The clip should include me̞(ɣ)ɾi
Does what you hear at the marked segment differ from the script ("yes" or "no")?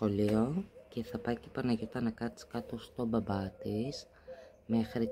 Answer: yes